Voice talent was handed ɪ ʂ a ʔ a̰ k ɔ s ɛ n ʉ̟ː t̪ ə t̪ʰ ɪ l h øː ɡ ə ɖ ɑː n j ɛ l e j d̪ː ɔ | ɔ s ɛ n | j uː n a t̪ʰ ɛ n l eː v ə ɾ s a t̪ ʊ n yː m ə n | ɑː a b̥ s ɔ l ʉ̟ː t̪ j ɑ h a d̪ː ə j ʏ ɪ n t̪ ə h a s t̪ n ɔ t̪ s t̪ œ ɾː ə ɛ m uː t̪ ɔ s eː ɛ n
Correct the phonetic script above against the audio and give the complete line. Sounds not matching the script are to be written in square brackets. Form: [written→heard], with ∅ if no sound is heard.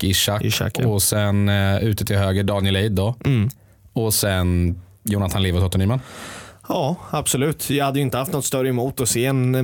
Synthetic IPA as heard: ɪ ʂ a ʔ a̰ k ɔ s ɛ n ʉ̟ː t̪ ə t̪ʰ ɪ l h øː ɡ ə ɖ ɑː n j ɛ l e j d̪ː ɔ | ɔ s ɛ n | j uː n a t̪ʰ [ɛ→a] n l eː v ə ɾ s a t̪ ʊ n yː m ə n | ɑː a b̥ s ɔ l ʉ̟ː t̪ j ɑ h a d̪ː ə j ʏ ɪ n t̪ ə h a [s→f] t̪ n ɔ t̪ s t̪ œ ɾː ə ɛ m uː t̪ ɔ s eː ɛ n